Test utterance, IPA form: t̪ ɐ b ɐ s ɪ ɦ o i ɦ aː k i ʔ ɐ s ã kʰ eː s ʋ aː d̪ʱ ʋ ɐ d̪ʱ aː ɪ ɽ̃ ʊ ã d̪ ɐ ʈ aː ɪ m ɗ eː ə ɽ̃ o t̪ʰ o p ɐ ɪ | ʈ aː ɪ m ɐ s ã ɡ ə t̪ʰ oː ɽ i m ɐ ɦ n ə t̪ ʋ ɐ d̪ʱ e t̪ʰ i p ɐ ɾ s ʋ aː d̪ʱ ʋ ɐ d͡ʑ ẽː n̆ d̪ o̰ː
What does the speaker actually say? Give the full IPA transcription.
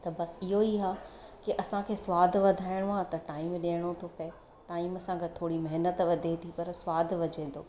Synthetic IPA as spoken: t̪ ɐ b ɐ s ɪ ɦ o i ɦ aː k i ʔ ɐ s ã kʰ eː s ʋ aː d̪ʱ ʋ ɐ d̪ʱ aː ɪ ɽ̃ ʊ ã t̪ ɐ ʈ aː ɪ m ɗ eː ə ɽ̃ o t̪ʰ o p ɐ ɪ | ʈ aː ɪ m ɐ s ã ɡ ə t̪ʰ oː ɽ i m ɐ ɦ n ə t̪ ʋ ɐ d̪ʱ e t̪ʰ i p ɐ ɾ s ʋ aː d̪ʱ ʋ ɐ d͡ʑ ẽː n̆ d̪ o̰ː